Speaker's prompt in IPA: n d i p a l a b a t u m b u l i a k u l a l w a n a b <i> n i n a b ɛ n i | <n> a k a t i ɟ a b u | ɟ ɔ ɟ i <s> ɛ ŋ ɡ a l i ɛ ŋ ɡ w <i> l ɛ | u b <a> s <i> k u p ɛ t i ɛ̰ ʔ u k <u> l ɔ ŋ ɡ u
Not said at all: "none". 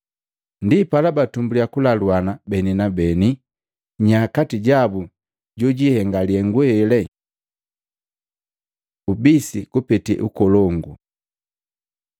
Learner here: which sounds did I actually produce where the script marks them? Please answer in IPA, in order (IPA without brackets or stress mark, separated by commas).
ɛ, ɲ, h, ɛ, i, i, ɔ